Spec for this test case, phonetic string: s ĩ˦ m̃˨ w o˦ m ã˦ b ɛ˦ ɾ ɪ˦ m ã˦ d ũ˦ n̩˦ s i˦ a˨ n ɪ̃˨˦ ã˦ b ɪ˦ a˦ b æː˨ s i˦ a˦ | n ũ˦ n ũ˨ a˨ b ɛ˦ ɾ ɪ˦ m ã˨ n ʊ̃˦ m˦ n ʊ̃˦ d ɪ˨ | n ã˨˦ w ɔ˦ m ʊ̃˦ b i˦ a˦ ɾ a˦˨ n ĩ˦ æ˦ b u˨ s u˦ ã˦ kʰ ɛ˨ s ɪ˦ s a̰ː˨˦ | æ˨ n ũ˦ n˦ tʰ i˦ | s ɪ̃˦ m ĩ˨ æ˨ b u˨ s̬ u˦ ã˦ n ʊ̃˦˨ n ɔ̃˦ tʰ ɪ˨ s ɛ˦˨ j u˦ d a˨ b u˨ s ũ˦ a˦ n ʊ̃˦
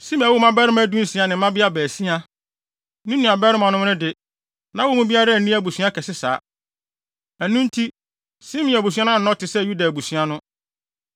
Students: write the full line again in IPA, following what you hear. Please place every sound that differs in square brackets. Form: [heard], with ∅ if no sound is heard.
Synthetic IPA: s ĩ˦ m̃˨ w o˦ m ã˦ b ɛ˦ ɾ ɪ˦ m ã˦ d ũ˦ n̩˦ s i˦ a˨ n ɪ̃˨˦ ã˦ b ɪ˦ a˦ b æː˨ s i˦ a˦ | n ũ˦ n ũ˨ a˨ b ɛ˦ ɾ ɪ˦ m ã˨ n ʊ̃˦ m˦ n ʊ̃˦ d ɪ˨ | n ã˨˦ w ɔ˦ m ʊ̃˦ b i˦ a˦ ɾ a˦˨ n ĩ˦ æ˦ b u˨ s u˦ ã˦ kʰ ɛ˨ s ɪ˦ s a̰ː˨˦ | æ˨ n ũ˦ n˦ tʰ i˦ | s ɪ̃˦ m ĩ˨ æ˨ b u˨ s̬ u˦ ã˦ n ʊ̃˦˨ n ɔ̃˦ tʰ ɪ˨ s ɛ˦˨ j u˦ d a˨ b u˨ s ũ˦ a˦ n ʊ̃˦